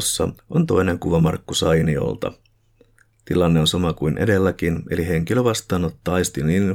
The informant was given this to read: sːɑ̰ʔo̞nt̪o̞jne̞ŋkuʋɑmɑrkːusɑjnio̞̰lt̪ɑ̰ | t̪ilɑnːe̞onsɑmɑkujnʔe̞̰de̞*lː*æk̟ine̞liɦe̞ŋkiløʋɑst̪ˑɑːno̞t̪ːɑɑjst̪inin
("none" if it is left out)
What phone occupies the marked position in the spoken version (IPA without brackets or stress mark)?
lː